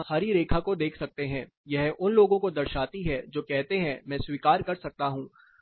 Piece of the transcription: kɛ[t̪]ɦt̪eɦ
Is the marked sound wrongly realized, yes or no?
yes